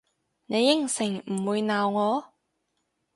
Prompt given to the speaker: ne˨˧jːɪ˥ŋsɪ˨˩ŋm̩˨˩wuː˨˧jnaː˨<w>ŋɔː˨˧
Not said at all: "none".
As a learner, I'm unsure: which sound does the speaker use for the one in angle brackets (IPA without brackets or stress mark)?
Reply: w